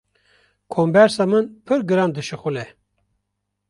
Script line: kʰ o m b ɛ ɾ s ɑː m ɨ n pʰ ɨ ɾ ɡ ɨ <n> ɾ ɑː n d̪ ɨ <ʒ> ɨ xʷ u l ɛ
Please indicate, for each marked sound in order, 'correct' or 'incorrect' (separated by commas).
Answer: incorrect, incorrect